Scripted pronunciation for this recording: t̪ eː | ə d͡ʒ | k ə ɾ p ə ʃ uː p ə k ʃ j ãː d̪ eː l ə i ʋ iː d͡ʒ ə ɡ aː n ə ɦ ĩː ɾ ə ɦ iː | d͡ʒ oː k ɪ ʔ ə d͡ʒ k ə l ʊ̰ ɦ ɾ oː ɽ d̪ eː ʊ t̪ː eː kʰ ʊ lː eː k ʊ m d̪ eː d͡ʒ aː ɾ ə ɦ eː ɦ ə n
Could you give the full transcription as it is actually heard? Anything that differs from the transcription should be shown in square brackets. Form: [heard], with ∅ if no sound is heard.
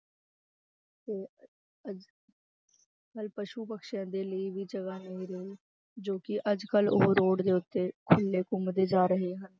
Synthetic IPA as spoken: t̪ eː | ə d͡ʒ | k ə [l] p ə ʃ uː p ə k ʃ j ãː d̪ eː l ə i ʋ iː d͡ʒ ə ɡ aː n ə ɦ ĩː ɾ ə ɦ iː | d͡ʒ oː k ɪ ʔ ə d͡ʒ k ə l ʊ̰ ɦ ɾ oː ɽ d̪ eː ʊ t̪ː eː kʰ ʊ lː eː k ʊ m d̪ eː d͡ʒ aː ɾ ə ɦ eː ɦ ə n